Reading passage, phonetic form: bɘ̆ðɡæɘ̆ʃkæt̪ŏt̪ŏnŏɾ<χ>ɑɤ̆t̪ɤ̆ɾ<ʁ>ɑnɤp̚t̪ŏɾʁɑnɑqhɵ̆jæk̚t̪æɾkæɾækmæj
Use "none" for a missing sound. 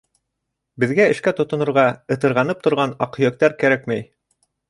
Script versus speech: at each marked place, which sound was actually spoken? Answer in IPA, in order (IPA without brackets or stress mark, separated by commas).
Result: ʁ, ʁ